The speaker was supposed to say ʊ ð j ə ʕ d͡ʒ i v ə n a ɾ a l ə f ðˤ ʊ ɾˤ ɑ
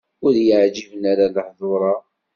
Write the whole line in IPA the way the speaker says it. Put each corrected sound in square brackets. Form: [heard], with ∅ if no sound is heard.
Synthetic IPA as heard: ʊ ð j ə ʕ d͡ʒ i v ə n a ɾ a l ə [ħ] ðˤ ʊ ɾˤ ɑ